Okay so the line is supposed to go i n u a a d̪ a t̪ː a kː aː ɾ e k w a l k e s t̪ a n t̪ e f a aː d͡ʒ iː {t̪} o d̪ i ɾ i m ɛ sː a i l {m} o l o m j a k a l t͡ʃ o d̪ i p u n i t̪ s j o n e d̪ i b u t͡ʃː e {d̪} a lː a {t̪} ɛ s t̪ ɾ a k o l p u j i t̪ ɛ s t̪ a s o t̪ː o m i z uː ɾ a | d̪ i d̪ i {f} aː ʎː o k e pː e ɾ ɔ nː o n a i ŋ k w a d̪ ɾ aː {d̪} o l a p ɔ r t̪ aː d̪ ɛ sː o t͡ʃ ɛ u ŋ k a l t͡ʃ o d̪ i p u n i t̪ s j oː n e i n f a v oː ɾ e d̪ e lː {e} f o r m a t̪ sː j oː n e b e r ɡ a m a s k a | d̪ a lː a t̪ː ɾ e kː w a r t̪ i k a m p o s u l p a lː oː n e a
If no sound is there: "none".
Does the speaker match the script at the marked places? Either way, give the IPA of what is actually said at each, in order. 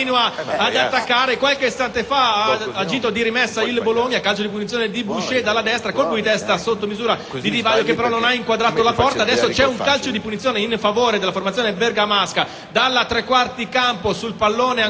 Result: t̪, b, d̪, d̪, v, t̪, a

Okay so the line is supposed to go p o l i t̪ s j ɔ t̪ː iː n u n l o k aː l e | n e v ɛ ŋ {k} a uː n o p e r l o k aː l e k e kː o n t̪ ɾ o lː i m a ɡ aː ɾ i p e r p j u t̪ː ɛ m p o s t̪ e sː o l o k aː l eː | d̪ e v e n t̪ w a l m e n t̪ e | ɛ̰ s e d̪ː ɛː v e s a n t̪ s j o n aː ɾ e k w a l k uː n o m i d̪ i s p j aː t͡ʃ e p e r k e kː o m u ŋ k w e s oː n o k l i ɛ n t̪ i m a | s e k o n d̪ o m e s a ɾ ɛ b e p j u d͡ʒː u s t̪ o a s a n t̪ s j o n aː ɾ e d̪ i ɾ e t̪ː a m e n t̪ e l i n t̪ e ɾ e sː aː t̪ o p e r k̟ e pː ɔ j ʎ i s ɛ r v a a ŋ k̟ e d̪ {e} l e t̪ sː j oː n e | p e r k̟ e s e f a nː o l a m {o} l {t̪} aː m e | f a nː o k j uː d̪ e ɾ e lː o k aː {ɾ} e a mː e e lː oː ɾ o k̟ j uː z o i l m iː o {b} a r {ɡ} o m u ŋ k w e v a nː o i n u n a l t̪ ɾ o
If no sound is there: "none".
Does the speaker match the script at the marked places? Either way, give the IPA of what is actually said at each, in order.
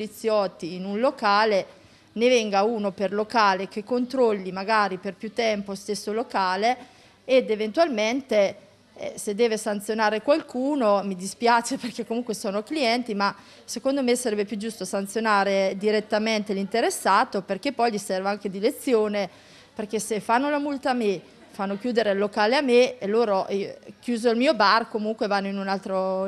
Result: ɡ, i, u, t̪, l, b, k

